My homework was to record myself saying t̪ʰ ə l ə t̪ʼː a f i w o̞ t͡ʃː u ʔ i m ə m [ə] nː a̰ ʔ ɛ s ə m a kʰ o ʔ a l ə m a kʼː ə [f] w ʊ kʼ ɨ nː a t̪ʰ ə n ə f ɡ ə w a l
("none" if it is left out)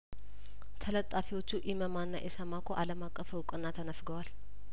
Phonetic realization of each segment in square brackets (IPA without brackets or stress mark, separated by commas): a, f